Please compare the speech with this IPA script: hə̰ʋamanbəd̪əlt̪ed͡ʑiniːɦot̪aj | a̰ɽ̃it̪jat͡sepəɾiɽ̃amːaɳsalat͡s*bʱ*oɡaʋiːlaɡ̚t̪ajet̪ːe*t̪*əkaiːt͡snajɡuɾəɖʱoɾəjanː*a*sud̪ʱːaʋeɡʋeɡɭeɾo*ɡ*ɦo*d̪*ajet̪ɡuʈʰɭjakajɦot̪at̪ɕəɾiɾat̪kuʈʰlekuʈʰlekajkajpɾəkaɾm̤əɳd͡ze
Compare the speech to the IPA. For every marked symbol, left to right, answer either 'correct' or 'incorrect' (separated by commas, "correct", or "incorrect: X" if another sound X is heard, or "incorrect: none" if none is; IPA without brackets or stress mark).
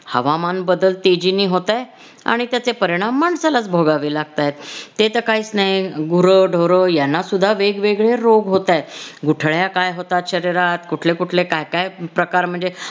correct, correct, correct, correct, incorrect: t̪